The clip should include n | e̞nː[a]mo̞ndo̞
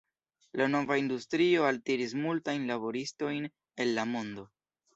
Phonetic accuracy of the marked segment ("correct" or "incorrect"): correct